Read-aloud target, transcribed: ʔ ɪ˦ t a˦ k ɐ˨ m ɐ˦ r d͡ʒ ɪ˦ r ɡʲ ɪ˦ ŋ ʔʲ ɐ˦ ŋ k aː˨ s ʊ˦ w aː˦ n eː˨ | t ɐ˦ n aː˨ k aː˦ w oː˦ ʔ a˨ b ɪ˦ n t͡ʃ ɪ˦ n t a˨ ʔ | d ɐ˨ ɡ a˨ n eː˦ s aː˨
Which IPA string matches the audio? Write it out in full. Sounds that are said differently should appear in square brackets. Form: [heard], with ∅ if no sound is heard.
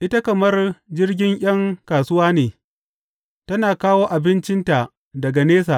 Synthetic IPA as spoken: ʔ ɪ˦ t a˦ k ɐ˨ m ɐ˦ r d͡ʒ ɪ˦ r ɡʲ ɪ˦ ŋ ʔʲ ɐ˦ ŋ k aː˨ s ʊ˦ w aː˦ n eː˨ | t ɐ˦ n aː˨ k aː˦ w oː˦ ʔ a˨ b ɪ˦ n t͡ʃ ɪ˦ n t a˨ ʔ | d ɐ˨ ɡ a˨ n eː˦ s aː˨